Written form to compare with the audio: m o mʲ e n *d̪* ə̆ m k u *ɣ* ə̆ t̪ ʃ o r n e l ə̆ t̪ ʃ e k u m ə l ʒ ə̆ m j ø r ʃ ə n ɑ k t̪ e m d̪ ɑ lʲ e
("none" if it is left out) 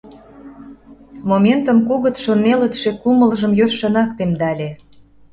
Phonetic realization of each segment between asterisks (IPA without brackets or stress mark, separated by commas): t̪, ɣ